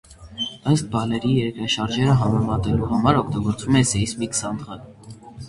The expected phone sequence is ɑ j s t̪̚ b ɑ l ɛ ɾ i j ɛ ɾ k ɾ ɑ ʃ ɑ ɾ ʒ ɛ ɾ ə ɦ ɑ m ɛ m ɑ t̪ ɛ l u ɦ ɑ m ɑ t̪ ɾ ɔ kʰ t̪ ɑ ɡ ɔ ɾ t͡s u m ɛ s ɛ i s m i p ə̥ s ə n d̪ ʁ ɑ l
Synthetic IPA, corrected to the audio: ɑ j s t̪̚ b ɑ l ɛ ɾ i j ɛ ɾ k ɾ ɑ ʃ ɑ ɾ ʒ ɛ ɾ ə ɦ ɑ m ɛ m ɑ t̪ ɛ l u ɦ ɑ m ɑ ɾ ɔ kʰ t̪ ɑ ɡ ɔ ɾ t͡s u m ɛ s ɛ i s m i k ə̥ s ɑ n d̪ ʁ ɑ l